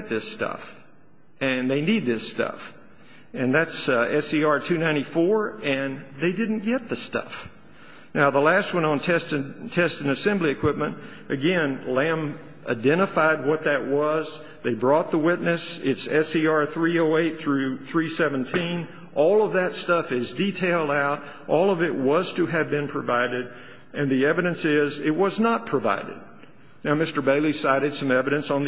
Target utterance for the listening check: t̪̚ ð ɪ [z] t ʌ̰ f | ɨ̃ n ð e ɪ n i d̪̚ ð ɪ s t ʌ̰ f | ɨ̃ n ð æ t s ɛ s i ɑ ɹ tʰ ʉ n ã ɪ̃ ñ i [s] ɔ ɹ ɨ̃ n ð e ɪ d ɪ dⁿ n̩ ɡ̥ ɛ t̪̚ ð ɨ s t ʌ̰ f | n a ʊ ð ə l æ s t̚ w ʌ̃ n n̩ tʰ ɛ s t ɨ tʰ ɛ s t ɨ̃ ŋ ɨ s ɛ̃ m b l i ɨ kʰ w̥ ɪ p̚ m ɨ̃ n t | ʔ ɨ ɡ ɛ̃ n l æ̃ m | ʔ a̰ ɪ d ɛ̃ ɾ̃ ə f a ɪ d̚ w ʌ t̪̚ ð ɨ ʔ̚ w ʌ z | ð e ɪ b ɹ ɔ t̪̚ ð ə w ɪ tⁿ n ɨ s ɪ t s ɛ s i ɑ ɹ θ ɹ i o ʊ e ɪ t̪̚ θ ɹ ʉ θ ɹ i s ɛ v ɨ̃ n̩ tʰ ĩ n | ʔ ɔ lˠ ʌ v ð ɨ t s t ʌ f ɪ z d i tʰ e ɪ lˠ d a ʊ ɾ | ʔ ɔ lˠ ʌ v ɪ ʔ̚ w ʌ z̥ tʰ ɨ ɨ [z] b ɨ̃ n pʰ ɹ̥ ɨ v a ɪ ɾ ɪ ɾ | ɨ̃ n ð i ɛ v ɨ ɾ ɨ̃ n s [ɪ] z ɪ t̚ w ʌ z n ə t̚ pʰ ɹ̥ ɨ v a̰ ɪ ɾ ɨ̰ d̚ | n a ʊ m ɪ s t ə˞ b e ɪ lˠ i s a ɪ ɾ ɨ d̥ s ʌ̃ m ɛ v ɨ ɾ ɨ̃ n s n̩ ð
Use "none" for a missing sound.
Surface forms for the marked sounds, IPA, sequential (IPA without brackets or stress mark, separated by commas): s, f, v, ɪ